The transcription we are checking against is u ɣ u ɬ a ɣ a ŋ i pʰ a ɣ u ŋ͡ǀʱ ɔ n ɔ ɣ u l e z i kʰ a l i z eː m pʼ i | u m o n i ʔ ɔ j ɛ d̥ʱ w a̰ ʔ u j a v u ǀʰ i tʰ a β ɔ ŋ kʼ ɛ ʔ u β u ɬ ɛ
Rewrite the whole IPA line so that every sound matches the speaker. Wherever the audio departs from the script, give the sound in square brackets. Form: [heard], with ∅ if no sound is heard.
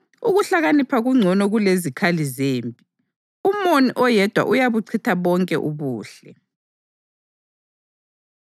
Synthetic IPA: u ɣ u ɬ a ɣ a [n] i pʰ a ɣ u ŋ͡ǀʱ ɔ n ɔ ɣ u l e z i kʰ a l i z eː m pʼ i | u m o n i ʔ ɔ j ɛ d̥ʱ w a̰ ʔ u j a [β] u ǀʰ i tʰ a β ɔ ŋ kʼ ɛ ʔ u β [uː] ɬ ɛ